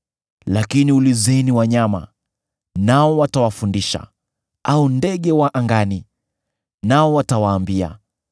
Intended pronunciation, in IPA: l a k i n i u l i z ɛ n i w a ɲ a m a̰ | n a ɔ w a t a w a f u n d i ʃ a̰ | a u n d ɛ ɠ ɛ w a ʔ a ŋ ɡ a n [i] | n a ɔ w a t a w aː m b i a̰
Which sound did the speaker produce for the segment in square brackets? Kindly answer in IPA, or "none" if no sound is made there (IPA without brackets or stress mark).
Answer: i